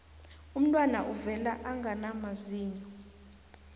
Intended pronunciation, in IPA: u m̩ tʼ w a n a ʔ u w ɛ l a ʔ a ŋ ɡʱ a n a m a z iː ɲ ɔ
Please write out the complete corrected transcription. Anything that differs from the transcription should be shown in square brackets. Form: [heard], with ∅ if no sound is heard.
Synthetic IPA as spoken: u m̩ tʼ w a n a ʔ u [v] ɛ l a ʔ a ŋ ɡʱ a n a m a z iː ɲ ɔ